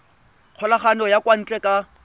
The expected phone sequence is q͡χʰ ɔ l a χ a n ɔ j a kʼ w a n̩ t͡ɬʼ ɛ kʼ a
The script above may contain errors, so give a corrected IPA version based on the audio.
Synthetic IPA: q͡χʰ ɔ l a χ a n ɔ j a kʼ w a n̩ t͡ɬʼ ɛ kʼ a